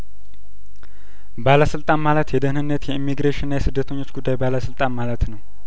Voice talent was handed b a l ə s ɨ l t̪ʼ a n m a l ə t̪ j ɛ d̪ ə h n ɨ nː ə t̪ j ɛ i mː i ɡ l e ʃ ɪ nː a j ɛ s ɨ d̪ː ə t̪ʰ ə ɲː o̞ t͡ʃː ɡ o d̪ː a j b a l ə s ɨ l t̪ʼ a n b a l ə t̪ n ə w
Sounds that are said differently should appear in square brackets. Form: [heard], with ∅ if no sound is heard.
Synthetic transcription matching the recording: b a l ə s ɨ l t̪ʼ a n m a l ə t̪ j ɛ d̪ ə h n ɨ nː ə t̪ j ɛ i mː i ɡ [ɾ] e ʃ ɪ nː a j ɛ s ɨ d̪ː ə t̪ʰ ə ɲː o̞ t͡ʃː ɡ [u] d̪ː a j b a l ə s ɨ l t̪ʼ a n [m] a l ə t̪ n ə w